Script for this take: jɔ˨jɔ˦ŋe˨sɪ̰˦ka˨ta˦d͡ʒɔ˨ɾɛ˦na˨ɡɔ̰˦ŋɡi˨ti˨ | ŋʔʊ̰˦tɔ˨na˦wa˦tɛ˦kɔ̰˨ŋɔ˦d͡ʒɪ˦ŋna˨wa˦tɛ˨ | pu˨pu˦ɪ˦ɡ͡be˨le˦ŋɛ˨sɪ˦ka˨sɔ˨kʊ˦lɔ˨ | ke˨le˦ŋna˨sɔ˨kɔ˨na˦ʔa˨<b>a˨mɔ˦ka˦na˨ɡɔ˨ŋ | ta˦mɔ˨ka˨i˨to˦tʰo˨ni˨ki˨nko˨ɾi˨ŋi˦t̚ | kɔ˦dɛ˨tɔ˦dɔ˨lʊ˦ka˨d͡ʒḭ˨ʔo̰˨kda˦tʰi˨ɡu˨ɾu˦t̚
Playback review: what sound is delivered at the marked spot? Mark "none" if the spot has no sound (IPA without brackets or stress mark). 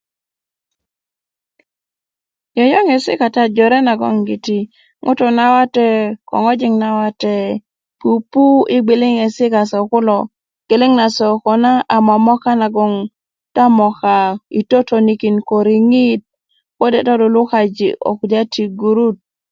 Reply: m